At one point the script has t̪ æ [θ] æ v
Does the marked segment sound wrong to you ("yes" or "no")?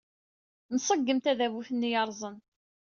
yes